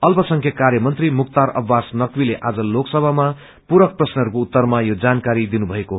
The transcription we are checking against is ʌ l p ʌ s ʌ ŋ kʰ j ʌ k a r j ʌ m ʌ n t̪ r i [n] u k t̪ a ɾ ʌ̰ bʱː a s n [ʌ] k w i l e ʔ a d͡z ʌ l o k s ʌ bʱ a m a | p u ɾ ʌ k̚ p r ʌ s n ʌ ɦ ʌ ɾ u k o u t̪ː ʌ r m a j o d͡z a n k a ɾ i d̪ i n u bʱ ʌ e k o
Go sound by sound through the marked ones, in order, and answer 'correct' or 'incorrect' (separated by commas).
incorrect, correct